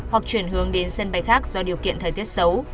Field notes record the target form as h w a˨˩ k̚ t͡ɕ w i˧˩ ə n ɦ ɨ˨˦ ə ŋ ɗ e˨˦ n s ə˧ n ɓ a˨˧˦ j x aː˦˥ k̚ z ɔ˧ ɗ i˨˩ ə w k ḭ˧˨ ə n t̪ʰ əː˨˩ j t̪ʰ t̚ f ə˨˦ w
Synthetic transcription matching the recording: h w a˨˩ k̚ t͡ɕ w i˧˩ ə n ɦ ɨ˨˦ ə ŋ ɗ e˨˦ n s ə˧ n ɓ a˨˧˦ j x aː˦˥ k̚ z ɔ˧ ɗ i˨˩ ə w k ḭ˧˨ ə n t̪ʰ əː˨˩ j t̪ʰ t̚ s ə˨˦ w